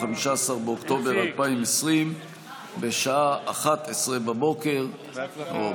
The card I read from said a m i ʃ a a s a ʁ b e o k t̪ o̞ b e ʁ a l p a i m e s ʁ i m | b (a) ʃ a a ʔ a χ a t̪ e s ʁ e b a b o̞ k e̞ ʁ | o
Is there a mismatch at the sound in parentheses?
yes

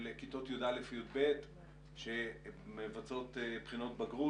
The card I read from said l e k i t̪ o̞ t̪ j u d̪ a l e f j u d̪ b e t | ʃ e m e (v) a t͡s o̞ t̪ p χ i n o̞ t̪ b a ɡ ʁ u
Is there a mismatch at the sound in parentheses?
no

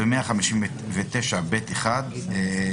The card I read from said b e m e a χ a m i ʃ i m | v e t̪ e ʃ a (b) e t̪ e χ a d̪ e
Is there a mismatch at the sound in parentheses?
no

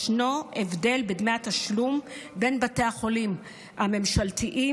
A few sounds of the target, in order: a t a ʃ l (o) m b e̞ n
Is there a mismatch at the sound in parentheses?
yes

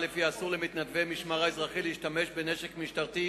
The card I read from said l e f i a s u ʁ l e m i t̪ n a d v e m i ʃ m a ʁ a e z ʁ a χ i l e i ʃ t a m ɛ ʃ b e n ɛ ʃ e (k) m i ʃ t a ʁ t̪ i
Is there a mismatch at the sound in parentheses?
no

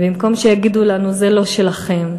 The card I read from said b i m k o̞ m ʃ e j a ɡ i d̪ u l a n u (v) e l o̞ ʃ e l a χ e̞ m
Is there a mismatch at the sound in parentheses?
yes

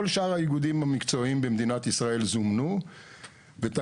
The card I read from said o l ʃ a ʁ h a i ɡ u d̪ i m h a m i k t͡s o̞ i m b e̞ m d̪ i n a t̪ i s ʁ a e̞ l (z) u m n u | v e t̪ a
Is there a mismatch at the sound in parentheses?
no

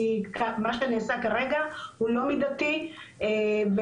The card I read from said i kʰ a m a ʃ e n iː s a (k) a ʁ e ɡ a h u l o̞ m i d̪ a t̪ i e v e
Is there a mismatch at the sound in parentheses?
no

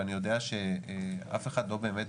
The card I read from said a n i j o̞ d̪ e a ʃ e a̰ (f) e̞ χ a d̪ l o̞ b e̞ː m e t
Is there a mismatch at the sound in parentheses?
no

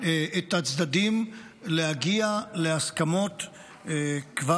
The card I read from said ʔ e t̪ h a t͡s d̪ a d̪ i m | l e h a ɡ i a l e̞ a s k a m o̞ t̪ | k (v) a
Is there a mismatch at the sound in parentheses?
no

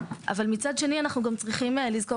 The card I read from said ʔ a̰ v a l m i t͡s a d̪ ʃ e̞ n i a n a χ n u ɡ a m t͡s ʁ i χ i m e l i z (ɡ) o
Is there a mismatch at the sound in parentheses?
yes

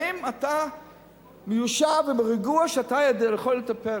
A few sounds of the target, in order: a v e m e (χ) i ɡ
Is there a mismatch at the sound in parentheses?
yes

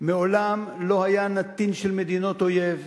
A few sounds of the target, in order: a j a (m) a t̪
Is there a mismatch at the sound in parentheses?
yes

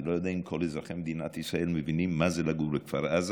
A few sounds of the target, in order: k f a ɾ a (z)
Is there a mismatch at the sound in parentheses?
no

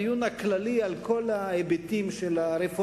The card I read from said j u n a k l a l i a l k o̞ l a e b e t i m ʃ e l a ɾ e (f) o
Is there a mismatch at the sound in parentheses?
no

